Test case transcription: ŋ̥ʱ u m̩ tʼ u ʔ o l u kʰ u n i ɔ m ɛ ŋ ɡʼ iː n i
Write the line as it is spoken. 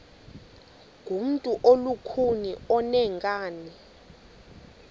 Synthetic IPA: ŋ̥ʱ u m̩ tʼ u ʔ o l u kʰ u n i ɔ n ɛ ŋ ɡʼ aː n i